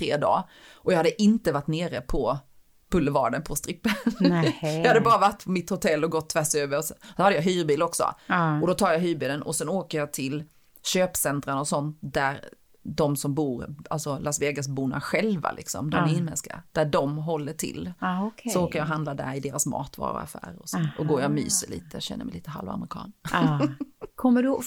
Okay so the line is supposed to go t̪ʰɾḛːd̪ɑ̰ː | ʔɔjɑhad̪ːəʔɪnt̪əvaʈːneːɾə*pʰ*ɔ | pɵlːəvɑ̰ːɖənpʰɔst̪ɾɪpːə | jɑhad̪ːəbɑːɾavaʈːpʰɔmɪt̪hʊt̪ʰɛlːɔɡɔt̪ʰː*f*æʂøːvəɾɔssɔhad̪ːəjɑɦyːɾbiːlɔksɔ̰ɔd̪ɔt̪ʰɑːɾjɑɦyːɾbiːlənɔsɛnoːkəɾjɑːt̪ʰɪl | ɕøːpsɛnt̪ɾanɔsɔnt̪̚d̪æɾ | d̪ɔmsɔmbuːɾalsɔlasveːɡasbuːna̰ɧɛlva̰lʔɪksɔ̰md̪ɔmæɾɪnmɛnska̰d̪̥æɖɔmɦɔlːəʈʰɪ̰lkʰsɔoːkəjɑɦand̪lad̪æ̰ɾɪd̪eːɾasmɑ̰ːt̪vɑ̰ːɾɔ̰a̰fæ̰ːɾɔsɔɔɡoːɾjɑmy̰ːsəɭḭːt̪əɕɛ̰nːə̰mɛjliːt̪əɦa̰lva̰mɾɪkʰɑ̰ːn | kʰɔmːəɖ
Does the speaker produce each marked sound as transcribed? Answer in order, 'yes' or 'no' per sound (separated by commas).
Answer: yes, no